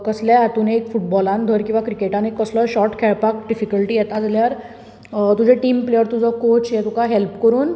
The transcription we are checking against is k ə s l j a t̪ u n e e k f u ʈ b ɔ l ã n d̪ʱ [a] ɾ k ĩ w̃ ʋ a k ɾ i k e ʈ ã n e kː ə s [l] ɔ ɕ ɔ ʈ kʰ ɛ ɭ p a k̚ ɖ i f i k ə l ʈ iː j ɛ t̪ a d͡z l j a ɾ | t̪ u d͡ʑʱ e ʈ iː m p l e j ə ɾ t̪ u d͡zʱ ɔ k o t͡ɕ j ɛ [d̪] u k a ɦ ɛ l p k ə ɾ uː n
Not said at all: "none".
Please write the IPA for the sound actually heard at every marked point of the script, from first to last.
ə, l, t̪

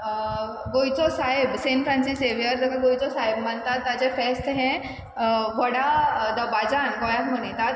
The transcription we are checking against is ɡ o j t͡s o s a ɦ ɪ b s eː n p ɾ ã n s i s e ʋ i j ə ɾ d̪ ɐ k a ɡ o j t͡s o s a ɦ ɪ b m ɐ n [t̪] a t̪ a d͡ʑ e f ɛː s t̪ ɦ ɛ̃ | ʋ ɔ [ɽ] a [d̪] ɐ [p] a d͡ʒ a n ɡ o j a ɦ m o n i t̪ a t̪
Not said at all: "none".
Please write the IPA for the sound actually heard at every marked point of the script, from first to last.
t̪, ɽ, d̪, b

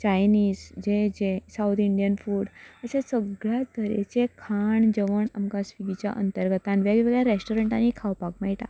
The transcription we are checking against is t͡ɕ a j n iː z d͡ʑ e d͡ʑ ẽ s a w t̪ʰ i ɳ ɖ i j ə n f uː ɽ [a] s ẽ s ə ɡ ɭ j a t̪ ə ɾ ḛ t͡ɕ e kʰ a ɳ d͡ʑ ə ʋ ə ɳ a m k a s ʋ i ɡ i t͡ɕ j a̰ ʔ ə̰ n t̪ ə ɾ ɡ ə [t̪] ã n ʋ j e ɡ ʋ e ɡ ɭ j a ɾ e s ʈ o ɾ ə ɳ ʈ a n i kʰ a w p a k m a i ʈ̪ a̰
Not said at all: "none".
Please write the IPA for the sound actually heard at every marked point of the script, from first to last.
ə, t̪

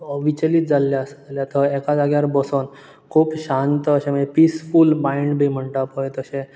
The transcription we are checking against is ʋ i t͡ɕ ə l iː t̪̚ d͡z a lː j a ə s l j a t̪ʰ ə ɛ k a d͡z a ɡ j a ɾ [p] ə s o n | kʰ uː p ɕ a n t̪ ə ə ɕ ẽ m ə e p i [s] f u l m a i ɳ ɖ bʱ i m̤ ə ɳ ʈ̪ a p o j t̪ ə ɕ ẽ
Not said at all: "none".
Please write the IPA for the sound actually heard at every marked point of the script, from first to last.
b, s

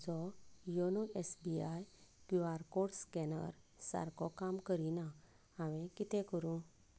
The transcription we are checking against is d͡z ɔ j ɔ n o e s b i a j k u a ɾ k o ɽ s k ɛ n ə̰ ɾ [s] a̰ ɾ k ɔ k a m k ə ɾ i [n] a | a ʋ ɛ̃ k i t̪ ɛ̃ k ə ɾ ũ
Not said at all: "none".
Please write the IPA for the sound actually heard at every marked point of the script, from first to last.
s, n

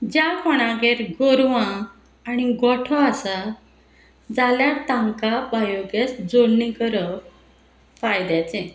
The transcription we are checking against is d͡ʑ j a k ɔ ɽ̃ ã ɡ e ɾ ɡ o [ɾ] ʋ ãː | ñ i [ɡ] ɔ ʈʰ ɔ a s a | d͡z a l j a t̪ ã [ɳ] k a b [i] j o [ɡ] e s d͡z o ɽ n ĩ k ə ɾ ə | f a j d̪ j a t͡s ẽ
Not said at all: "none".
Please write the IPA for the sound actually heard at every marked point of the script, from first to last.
ɾ, ɡ, ŋ, a, ɡ

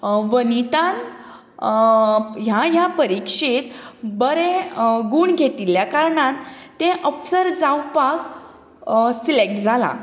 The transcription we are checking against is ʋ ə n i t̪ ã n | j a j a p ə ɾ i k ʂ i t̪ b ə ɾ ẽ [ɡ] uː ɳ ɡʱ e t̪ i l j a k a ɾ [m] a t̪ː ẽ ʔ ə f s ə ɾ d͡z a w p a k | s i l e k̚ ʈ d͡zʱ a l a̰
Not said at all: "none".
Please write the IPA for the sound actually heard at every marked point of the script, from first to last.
ɡ, ɳ

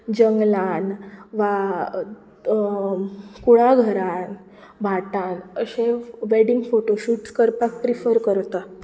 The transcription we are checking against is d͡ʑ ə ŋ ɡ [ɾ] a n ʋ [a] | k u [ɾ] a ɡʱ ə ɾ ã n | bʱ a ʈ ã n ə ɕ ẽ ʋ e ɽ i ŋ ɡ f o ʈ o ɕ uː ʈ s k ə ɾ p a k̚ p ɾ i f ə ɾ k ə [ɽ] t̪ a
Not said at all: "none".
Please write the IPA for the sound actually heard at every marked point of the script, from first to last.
l, a, ɭ, ɾ

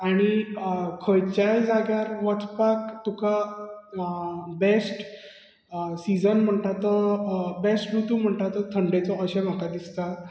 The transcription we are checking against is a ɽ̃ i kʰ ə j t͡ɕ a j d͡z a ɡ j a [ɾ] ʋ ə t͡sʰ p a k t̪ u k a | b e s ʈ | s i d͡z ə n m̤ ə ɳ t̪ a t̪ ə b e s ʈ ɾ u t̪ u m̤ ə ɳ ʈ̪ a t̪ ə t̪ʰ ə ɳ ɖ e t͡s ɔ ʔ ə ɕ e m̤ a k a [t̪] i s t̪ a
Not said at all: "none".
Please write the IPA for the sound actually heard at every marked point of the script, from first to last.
ɾ, d̪

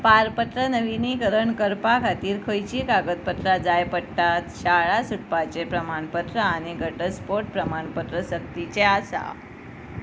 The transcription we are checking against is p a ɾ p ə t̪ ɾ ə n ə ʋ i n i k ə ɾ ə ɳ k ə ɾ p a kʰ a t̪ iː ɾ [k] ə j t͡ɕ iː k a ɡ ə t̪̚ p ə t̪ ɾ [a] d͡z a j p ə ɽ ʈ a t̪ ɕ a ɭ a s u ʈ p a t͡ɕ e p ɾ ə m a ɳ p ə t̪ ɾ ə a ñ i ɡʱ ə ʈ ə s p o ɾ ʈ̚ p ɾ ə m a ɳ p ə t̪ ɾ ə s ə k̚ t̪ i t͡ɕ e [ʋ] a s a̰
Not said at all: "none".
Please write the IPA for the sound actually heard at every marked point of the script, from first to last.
kʰ, a, none

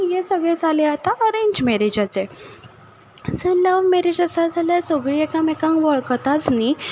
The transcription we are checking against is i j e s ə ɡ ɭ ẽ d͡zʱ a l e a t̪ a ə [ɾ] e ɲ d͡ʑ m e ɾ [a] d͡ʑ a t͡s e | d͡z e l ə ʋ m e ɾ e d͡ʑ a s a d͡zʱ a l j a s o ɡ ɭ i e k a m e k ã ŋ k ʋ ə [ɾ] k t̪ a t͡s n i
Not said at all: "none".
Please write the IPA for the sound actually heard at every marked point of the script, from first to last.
ɾ, e, ɭ

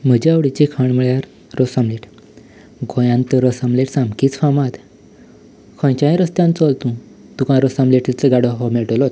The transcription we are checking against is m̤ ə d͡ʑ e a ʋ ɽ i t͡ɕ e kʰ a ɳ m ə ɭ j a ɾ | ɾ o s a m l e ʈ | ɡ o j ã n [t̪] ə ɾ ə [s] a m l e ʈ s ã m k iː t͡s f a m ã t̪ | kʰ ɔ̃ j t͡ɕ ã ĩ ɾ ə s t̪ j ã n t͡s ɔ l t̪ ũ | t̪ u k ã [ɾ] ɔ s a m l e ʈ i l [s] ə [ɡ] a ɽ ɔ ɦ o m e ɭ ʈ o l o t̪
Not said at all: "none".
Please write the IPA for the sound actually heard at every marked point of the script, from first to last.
t̪, s, ɾ, t͡s, ɡ

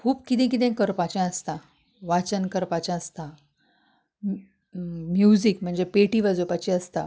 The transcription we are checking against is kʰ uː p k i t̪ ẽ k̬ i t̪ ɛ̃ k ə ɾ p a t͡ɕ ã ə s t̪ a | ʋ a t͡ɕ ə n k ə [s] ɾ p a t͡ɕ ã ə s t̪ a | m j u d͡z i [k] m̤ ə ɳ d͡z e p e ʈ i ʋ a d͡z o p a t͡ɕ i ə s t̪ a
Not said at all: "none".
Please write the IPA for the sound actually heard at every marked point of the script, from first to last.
none, k

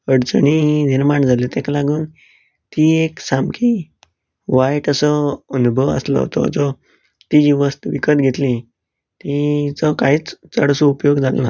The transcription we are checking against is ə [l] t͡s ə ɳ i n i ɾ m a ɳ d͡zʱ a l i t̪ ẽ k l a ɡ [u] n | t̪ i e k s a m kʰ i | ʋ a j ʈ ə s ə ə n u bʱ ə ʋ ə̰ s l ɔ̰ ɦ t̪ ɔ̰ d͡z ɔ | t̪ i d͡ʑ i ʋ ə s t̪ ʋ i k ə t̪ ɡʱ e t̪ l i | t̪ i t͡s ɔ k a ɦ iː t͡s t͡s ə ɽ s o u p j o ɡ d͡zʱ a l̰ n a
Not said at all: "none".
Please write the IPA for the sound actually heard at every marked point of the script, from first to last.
ɽ, uː

